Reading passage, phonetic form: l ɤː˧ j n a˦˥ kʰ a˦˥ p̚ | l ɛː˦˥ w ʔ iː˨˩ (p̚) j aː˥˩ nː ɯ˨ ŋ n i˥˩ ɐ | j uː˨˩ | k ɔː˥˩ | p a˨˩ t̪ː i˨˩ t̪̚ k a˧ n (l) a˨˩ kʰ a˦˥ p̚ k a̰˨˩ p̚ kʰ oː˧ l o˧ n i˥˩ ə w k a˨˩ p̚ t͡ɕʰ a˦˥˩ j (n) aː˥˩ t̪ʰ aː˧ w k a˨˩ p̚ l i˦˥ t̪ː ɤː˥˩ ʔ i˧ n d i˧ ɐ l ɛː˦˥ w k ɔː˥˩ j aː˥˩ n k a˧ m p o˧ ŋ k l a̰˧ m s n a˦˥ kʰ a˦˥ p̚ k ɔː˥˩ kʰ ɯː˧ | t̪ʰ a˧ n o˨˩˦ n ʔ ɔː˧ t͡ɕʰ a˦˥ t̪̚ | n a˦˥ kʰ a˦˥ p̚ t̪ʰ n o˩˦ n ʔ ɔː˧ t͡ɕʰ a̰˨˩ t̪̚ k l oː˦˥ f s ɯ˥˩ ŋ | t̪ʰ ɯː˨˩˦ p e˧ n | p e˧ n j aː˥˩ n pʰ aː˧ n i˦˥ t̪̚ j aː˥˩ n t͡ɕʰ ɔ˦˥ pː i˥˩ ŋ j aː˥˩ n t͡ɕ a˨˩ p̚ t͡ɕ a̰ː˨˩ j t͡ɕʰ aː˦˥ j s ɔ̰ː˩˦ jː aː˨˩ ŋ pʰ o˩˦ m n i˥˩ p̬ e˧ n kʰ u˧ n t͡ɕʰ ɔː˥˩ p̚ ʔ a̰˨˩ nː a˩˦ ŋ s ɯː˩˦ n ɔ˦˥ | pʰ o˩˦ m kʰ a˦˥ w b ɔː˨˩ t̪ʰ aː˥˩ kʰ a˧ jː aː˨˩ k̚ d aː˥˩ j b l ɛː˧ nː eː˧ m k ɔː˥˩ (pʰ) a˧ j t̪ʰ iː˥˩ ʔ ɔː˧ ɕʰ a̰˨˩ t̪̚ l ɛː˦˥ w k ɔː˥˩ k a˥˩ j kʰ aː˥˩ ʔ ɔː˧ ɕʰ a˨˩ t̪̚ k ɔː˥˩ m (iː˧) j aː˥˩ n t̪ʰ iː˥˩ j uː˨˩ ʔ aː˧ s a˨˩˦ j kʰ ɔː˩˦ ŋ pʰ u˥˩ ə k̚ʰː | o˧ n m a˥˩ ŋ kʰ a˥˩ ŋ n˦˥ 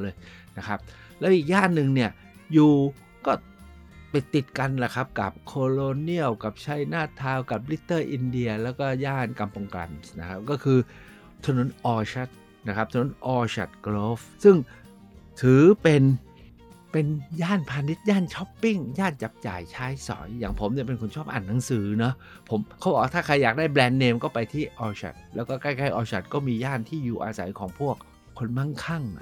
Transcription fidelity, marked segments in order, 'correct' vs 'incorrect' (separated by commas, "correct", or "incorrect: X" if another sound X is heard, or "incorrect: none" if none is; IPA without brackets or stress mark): incorrect: k̚, correct, correct, incorrect: p, correct